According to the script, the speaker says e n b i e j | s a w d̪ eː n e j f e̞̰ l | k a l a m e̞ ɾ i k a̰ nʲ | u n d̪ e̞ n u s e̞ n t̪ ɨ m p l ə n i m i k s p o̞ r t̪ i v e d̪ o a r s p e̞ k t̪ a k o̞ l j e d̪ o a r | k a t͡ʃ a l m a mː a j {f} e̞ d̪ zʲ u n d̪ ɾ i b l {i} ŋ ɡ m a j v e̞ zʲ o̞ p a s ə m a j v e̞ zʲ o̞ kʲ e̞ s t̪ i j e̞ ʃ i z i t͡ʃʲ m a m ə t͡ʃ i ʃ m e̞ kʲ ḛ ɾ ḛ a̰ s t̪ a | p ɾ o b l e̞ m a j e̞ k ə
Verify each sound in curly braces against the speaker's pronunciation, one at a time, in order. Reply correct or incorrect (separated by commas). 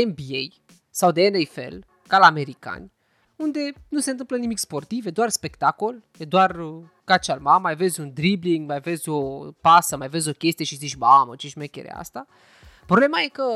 incorrect, correct